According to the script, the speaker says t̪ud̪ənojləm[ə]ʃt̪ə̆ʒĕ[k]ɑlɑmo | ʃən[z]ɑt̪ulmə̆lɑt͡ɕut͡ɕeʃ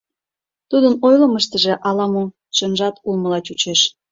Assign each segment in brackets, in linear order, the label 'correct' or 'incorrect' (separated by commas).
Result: correct, incorrect, incorrect